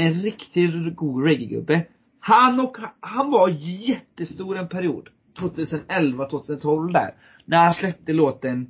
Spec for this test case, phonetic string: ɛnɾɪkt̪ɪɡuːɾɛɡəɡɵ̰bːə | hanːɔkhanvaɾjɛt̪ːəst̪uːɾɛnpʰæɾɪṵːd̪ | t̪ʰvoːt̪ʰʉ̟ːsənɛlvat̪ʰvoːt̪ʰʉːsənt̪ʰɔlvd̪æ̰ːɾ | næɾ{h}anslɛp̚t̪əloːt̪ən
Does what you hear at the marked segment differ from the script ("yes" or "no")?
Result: no